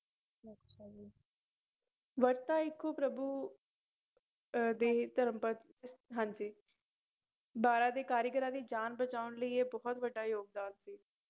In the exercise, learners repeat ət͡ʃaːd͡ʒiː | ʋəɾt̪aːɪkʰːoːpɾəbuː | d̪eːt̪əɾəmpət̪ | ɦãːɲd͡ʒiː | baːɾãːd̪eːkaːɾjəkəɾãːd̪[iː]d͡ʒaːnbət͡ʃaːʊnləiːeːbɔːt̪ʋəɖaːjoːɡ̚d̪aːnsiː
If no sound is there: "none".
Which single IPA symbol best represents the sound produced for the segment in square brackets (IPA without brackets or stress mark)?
iː